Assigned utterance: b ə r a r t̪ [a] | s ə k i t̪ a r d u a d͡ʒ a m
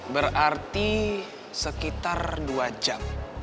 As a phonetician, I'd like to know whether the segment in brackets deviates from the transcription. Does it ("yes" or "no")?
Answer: yes